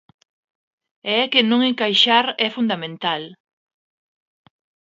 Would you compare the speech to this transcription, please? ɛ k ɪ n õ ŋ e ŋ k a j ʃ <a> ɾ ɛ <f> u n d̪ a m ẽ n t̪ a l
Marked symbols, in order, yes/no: yes, yes

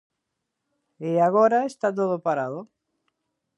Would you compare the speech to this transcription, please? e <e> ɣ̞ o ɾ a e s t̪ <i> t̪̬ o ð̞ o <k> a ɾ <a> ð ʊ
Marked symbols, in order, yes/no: no, no, no, yes

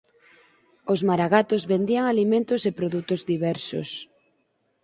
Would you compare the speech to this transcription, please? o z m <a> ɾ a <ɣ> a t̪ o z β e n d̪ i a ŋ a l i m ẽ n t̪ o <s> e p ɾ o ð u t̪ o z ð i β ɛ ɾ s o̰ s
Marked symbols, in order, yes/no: yes, yes, yes

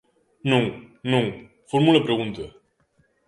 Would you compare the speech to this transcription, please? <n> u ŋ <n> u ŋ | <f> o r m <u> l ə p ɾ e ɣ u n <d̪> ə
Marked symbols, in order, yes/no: yes, yes, yes, yes, no

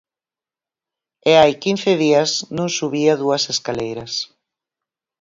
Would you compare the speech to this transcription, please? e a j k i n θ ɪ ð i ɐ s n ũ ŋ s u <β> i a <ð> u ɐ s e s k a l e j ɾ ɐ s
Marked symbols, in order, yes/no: yes, yes

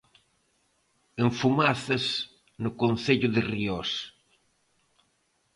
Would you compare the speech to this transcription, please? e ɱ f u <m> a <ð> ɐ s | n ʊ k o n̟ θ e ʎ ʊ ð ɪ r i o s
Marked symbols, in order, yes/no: yes, no

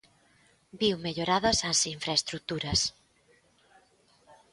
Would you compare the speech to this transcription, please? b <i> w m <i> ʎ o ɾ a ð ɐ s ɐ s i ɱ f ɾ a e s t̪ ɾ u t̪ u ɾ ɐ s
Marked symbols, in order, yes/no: yes, no

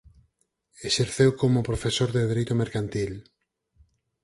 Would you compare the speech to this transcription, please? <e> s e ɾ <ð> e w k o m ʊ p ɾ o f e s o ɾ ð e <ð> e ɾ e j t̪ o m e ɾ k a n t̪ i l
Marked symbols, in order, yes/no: yes, no, yes

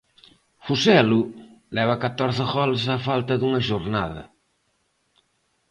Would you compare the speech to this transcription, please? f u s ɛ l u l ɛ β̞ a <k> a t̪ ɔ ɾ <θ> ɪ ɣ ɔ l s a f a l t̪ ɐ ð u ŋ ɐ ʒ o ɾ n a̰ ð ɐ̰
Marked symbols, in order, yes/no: yes, yes

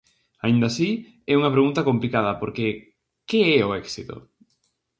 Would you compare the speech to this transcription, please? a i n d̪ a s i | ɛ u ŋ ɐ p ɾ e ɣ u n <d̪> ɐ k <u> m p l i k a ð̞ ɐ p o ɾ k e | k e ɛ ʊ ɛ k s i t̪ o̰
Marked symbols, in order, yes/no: no, no

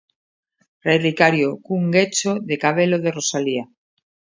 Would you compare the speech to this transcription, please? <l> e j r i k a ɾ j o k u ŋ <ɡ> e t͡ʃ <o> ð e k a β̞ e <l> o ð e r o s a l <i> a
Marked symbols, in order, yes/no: no, yes, yes, yes, yes

